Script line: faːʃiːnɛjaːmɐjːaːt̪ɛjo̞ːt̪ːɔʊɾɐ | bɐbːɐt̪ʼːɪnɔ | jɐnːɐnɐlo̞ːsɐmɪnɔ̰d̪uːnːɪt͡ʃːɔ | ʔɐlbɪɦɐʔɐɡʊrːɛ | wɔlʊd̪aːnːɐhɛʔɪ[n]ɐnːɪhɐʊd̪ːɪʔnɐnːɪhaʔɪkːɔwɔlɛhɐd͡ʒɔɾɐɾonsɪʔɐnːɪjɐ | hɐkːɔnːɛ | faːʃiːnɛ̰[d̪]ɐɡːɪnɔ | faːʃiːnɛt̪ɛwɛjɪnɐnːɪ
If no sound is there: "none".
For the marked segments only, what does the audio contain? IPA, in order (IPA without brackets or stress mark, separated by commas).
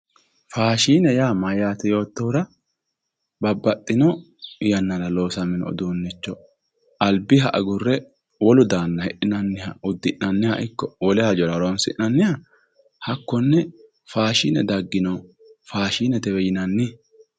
n, d̪